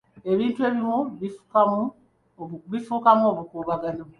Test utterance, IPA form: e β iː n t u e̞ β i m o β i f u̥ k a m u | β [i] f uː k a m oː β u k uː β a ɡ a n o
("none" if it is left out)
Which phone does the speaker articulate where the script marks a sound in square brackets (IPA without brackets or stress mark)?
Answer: i